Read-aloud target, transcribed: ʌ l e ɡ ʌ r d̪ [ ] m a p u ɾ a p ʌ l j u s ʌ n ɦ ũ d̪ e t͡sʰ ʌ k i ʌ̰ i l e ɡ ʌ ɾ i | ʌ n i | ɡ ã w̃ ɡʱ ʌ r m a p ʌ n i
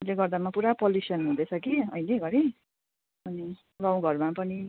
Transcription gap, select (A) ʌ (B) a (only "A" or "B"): B